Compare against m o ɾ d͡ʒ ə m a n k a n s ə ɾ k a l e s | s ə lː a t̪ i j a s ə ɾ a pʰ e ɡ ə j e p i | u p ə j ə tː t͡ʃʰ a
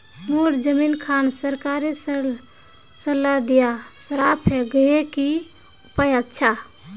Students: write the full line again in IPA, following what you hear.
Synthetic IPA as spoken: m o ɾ d͡ʒ ə m i n kʰ a n s ə ɾ k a ɾ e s | s ə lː a d̪ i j a s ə ɾ a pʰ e ɡ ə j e k i | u p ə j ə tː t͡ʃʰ a